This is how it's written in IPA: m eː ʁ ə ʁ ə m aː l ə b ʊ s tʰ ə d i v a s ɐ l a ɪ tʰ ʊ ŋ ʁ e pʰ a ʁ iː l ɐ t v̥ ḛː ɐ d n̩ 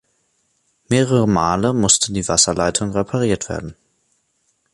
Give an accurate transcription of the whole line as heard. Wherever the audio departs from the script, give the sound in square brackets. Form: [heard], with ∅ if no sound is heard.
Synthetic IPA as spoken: m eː ʁ ə ʁ ə m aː l ə [m] ʊ s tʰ ə d [iː] v a s ɐ l a ɪ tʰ ʊ ŋ ʁ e pʰ a ʁ iː [∅] ɐ t v̥ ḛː ɐ d n̩